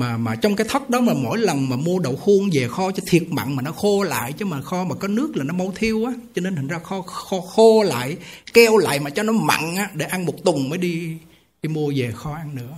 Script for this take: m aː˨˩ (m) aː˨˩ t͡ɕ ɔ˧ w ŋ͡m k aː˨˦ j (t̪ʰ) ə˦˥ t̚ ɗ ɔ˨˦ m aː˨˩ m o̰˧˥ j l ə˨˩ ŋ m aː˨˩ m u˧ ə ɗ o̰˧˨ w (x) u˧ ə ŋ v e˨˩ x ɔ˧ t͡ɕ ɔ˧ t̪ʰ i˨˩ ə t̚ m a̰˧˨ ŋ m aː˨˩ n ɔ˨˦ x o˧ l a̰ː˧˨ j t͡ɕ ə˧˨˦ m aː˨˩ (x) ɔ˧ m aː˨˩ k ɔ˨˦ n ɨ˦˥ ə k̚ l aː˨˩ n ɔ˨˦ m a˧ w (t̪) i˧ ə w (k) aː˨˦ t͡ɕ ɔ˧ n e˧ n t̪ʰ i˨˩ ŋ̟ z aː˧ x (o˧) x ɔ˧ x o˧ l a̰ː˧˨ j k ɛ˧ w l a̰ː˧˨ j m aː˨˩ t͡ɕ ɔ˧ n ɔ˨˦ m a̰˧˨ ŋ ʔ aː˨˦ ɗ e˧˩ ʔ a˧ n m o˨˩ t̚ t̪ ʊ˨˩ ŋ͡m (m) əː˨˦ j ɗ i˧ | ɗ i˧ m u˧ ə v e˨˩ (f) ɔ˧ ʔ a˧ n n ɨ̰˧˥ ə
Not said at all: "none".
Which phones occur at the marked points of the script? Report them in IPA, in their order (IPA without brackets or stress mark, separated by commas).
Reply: m, t̪ʰ, x, x, t̪ʰ, ʔ, ɔ˧, m, x